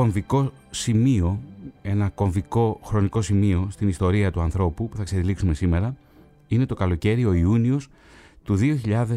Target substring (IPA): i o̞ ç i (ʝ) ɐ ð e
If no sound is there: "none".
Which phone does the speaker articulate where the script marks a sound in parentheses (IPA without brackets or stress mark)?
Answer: ʎ